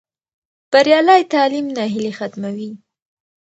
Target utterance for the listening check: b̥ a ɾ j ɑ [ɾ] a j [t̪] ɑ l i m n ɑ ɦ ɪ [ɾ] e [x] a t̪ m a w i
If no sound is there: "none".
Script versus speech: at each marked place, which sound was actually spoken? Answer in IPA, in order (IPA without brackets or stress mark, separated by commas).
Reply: l, t̪, l, x